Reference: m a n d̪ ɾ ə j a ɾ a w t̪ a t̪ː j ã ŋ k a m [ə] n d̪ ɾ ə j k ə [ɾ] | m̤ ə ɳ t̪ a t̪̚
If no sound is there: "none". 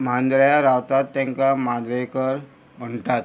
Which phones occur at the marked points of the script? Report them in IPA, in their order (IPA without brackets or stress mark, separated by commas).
a, ɾ